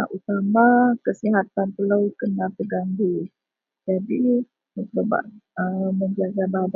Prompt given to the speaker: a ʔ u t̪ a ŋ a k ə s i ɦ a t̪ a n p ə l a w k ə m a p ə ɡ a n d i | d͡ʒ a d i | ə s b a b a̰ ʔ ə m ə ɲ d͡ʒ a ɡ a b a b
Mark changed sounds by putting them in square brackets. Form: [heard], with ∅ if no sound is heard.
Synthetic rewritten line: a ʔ u t̪ a [m] a k ə s i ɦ a t̪ a n p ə l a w k ə [n] a p ə ɡ a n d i | d͡ʒ a d i | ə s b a b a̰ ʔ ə m ə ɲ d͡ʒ a ɡ a b a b